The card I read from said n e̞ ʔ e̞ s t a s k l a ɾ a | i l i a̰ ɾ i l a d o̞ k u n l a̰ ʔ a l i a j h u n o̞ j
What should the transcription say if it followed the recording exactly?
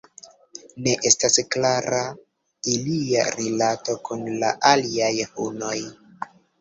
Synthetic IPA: n e̞ ʔ e̞ s t a s k l a ɾ a | i l i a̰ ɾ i l a t o̞ k u n l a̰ ʔ a l i a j h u n o̞ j

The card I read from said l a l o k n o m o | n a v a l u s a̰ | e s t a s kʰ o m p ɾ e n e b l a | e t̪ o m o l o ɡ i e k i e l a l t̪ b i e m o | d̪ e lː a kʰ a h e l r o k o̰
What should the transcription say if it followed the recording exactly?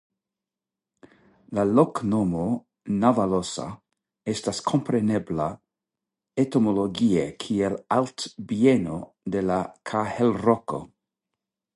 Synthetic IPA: l a l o k n o m o | n a v a l o s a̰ | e s t a s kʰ o m p ɾ e n e b l a | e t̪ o m o l o ɡ i e kʰ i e l a l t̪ b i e n o | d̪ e l a kʰ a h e l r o k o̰

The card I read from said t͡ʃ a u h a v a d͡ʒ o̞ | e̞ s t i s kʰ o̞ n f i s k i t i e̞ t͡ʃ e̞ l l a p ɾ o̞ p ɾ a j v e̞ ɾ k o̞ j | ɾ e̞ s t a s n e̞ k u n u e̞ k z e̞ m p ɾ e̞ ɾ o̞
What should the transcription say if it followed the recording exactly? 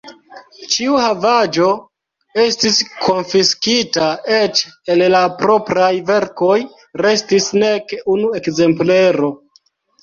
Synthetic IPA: t͡ʃ i u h a v a d͡ʒ o̞ | e̞ s t i s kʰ o̞ n f i s k i t a e̞ t͡ʃ e̞ l l a p ɾ o̞ p ɾ a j v e̞ ɾ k o̞ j | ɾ e̞ s t i s n e̞ k u n u e̞ k z e̞ m p l e̞ ɾ o̞

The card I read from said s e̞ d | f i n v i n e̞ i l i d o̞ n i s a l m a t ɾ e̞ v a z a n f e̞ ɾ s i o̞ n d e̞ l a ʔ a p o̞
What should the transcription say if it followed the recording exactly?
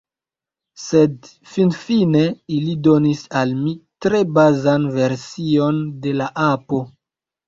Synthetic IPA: s e̞ d | f i n f i n e̞ i l i d o̞ n i s a l m i t ɾ e̞ b a z a n v e̞ ɾ s i o̞ n d e̞ l a ʔ a p o̞

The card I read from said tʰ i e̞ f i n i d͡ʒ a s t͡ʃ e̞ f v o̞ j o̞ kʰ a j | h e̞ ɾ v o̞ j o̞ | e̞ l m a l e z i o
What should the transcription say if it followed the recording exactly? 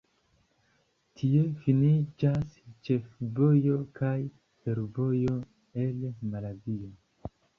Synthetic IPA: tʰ i e̞ f i n i d͡ʒ a s t͡ʃ e̞ f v o̞ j o̞ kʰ a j | f e̞ ɾ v o̞ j o̞ | e̞ l m a l a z i o

